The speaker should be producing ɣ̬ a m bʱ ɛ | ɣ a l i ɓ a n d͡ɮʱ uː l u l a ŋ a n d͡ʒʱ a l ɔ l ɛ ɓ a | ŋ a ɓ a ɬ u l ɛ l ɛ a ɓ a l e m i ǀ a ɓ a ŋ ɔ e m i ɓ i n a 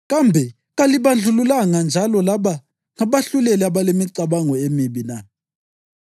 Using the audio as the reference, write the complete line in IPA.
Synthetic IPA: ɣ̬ a m bʱ ɛ | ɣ a l i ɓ a n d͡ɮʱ u l u l a ŋ a n d͡ʒʱ a l ɔ l a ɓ a | ŋ a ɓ a ɬ u l ɛ l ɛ a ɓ a l e m i ǀ a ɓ a ŋ ɔ e m i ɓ i n a

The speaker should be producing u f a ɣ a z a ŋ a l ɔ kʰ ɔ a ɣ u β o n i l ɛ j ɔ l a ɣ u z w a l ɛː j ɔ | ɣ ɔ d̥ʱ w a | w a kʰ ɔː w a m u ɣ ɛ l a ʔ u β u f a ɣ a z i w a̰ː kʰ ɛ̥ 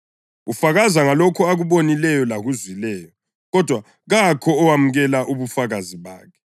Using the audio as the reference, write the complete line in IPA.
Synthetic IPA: u f a ɣ a z a ŋ a l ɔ kʰ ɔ a ɣ u β o n i l ɛ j ɔ l a ɣ u z w i l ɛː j ɔ | ɣ ɔ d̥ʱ w a | ɣ a kʰ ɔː w a m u ɣ ɛ l a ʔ u β u f a ɣ a z i β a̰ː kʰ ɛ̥

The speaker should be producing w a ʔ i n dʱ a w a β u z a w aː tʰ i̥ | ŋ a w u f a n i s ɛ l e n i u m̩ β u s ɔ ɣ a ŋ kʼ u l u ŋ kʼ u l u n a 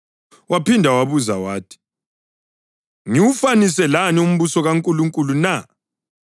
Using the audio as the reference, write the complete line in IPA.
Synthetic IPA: w a p i n dʱ a w a β u z a w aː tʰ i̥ | ŋ i w u f a n i s ɛ l a n i u m̩ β u s ɔ ɣ a ŋ kʼ u l u ŋ kʼ u l u n a

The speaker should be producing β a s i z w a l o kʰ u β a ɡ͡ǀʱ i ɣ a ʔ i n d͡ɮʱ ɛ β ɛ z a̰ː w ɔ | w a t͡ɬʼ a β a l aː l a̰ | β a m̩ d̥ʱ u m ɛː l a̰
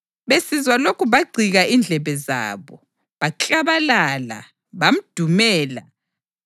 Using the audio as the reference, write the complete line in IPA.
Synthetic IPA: β e s i z w a l o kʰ u β a ɡ͡ǀʱ i ɣ a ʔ i n d͡ɮʱ ɛ β ɛ z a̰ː β ɔ | β a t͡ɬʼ a β a l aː l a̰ | β a m̩ d̥ʱ u m ɛː l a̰

